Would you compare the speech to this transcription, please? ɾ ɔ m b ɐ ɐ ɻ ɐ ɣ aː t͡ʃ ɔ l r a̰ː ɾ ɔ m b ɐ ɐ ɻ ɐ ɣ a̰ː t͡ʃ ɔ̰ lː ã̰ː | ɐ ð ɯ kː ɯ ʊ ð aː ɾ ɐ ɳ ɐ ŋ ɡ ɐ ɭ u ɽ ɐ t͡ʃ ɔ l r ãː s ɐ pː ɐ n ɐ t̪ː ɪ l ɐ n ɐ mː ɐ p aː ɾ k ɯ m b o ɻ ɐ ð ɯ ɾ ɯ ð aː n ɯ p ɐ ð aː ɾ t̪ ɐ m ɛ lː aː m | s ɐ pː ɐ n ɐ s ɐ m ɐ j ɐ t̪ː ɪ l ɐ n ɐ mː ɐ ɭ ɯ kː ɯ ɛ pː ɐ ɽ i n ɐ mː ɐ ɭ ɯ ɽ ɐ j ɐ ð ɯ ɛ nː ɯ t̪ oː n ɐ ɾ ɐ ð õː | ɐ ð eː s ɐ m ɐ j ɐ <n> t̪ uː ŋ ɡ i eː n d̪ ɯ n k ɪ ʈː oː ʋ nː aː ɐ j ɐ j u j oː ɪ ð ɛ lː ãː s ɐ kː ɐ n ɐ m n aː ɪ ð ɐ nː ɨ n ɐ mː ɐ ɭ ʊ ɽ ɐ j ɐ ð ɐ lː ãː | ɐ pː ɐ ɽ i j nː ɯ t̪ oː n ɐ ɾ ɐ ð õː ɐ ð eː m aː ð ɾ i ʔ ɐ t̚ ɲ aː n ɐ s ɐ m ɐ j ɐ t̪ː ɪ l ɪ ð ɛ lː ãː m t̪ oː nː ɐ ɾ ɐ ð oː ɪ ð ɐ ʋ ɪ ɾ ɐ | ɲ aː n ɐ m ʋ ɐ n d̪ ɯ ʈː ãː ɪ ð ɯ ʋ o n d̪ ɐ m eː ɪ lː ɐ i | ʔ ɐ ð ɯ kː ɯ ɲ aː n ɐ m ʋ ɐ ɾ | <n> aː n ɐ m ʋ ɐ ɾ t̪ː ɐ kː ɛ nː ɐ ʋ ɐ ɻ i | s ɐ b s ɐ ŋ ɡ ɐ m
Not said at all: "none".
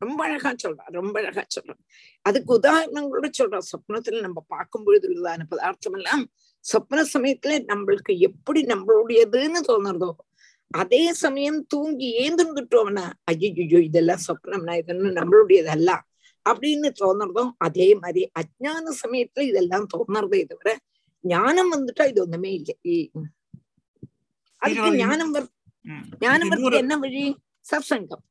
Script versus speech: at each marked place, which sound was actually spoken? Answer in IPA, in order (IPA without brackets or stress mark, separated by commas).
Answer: m, ɲ